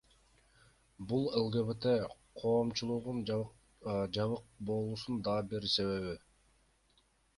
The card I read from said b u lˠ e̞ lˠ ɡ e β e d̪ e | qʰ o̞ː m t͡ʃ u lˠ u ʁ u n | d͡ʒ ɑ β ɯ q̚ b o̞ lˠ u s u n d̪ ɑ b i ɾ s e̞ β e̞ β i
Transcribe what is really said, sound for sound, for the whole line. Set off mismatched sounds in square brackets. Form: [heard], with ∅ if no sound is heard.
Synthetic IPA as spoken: b u lˠ e̞ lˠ ɡ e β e [t̪] e | qʰ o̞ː m t͡ʃ u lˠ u ʁ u n | d͡ʒ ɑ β ɯ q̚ b o̞ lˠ u s u n d̪ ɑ b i ɾ s e̞ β e̞ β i